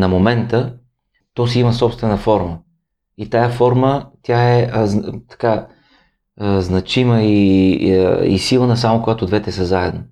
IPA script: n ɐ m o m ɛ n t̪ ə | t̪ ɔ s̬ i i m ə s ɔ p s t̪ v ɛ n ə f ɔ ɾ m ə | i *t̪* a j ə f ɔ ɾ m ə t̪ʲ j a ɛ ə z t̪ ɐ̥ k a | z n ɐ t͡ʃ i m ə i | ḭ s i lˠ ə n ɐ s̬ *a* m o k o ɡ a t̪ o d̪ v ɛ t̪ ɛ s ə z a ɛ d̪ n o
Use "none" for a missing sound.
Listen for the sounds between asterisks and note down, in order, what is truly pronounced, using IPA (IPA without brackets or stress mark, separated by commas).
t̪, a